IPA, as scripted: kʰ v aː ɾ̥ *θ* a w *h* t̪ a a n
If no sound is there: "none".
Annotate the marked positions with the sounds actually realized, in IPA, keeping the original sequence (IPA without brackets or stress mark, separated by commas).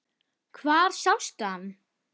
s, s